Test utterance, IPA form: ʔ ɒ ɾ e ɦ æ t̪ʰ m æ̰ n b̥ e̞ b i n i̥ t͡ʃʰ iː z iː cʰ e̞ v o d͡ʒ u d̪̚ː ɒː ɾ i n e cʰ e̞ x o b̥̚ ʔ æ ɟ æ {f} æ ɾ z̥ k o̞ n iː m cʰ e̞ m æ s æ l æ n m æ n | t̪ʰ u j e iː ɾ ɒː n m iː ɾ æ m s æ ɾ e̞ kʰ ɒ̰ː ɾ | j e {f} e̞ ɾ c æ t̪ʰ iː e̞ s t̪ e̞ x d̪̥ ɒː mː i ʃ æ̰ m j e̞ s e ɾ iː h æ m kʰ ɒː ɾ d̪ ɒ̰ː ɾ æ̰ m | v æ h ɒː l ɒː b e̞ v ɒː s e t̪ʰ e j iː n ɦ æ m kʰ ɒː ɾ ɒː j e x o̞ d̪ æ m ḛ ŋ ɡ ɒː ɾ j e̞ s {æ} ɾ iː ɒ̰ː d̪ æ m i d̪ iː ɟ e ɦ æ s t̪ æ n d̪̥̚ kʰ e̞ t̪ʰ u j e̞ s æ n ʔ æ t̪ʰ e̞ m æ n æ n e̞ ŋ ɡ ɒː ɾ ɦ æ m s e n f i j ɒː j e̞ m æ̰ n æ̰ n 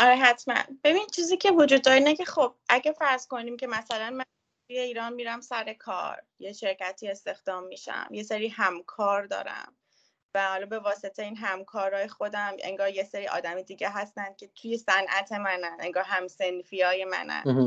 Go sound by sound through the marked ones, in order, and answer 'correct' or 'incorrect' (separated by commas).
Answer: correct, incorrect, incorrect